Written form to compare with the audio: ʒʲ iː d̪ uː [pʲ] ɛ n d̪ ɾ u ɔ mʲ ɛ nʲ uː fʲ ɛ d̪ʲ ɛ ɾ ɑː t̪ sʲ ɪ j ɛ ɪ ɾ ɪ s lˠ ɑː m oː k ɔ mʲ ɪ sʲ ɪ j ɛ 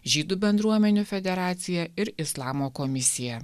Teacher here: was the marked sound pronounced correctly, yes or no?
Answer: no